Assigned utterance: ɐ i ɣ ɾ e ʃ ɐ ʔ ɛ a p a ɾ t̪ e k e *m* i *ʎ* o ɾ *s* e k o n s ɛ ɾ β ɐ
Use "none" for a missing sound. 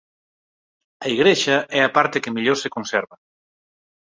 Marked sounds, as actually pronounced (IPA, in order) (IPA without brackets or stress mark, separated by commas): m, ʎ, s